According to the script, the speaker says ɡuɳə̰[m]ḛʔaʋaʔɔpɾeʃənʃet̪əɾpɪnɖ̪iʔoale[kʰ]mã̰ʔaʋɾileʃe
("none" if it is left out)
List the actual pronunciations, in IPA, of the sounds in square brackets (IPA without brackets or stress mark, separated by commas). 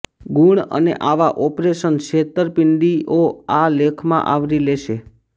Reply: n, kʰ